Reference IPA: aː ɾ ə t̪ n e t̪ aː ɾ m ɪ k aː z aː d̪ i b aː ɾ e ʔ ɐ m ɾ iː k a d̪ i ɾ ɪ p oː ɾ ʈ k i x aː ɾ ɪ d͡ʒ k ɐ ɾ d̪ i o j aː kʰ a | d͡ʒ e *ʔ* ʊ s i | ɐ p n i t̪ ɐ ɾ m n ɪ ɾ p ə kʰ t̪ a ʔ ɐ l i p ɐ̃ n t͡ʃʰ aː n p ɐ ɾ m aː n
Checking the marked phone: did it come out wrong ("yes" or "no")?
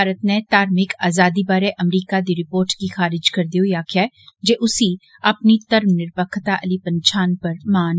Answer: no